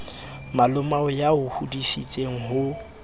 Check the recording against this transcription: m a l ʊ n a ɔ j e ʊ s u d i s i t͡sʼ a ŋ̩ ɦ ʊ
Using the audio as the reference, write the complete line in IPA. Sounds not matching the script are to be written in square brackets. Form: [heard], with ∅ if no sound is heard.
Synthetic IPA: m a l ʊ [m] a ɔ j [a] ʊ [h] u d i s i t͡sʼ [e] ŋ̩ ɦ ʊ